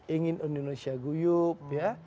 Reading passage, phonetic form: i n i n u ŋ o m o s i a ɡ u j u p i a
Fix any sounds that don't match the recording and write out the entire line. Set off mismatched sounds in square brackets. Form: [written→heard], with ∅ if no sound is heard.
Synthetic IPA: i [n→ŋ] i n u [ŋ→n] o [m→n] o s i a ɡ u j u p [i→j] a